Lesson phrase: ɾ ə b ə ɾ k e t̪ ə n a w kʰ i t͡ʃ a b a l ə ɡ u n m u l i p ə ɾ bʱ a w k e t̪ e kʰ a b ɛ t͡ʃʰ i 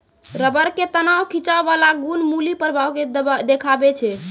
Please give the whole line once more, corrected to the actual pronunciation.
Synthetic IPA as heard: ɾ ə b ə ɾ k e t̪ ə n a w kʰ i t͡ʃ a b a l a ɡ u n m u l i p ə ɾ bʱ a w k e d̪ e kʰ a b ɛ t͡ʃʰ ɛ

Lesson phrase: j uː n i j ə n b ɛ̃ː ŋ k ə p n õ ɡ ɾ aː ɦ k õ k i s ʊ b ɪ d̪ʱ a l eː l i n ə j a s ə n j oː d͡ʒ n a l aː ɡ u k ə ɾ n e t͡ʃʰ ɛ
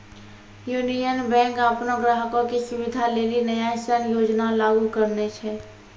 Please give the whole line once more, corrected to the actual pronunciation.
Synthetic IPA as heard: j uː n i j ə n b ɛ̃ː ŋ k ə p n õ ɡ ɾ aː ɦ k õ k i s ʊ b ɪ d̪ʱ a l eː l i n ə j a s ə n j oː d͡ʒ n a l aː ɡ u k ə ɾ n e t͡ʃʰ ɛ

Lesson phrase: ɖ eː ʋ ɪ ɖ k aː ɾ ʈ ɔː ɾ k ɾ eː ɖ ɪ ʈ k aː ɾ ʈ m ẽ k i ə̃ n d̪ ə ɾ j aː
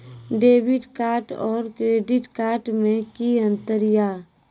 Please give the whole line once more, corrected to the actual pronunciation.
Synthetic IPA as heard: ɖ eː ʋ ɪ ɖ k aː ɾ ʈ ɔː ɾ k ɾ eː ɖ ɪ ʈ k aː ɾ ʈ m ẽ k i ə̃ n t̪ ə ɾ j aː

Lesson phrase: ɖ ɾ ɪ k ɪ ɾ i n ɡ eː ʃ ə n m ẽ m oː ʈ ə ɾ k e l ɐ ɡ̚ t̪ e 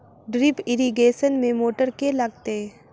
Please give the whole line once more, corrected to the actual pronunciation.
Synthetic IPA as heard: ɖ ɾ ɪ p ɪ ɾ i ɡ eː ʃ ə n m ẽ m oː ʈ ə ɾ k e l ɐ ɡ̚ t̪ e

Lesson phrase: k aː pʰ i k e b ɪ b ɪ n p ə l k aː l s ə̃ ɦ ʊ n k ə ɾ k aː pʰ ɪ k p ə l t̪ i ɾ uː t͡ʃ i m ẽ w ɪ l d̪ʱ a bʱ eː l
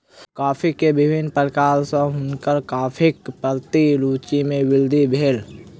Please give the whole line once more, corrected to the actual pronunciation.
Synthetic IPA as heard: k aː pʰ i k e b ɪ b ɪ n p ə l k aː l s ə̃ ɦ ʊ n k ə ɾ k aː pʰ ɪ k p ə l t̪ i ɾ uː t͡ʃ i m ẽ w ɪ l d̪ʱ i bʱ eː l

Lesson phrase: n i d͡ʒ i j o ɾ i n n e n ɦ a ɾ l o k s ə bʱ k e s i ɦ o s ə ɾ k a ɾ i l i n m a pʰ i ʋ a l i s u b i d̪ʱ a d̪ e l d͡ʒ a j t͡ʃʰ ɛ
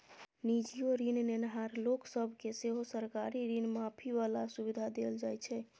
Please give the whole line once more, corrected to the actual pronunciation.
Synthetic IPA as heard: n i d͡ʒ i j o ɾ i n n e n ɦ a ɾ l o k s ə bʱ k e s e ɦ o s ə ɾ k a ɾ i ɾ i n m a pʰ i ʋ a l a s u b i d̪ʱ a d̪ e l d͡ʒ a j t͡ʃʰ ɛ

